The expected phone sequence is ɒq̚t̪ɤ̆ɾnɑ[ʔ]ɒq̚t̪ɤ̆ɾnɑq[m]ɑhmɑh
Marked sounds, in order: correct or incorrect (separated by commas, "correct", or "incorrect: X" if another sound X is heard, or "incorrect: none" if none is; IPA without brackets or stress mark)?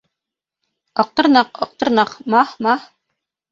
incorrect: q, correct